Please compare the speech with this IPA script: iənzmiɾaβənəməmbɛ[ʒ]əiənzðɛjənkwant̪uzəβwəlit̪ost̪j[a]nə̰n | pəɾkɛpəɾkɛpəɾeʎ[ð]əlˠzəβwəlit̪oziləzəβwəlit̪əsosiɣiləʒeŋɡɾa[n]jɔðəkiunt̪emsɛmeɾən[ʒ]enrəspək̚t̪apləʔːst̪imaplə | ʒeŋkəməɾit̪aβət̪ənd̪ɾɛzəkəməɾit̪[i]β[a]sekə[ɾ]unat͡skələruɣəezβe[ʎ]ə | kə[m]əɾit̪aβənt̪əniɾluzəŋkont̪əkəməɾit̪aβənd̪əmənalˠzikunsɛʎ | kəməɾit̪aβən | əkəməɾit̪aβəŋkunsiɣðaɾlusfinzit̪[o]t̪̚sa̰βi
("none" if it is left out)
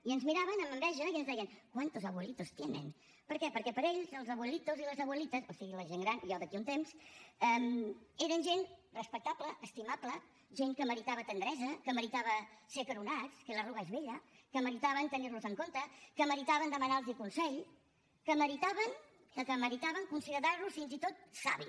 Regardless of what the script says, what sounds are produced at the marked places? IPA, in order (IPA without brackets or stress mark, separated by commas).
ʒ, e, z, n, ʒ, a, ə, ɾ, ʎ, m, o